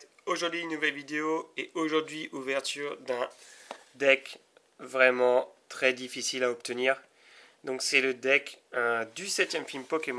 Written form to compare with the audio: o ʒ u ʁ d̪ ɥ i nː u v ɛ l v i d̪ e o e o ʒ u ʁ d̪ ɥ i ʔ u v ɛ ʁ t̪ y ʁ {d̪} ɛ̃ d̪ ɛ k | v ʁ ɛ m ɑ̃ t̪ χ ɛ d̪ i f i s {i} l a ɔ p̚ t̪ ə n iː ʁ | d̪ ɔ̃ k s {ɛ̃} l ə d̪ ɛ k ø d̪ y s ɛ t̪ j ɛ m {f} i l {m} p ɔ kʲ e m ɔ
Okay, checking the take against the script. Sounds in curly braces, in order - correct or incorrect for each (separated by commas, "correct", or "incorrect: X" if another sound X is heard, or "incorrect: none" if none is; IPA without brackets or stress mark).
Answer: correct, correct, incorrect: ɛ, correct, correct